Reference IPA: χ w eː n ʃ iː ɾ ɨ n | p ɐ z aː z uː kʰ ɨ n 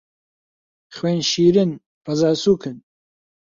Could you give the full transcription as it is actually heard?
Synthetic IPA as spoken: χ w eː n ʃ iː ɾ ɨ n | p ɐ z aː s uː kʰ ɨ n